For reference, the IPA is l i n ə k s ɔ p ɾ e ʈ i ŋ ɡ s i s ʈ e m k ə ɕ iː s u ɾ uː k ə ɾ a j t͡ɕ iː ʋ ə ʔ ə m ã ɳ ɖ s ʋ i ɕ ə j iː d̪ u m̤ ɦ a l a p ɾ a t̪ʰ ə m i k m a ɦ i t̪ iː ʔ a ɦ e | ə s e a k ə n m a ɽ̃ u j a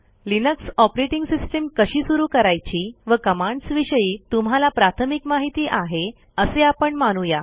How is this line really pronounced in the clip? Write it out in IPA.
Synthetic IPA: l i n ə k s ɔ p ɾ e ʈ i ŋ ɡ s i s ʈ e m k ə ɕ iː s u ɾ uː k ə ɾ a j t͡ɕ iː ʋ ə k ə m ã ɳ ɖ s ʋ i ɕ ə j iː t̪ u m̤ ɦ a l a p ɾ a t̪ʰ ə m i k m a ɦ i t̪ iː ʔ a ɦ e | ə s e a p ə ɳ m a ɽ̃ u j a